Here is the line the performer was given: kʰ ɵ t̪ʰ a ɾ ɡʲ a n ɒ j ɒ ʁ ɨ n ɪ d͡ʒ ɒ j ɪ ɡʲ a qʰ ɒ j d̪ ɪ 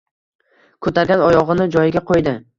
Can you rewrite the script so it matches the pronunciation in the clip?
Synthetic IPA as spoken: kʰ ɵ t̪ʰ a ɾ ɡʲ a n ɒ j ɒ ʁ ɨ n ɪ d͡ʒ ɒ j ɪ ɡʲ a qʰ o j d̪ ɪ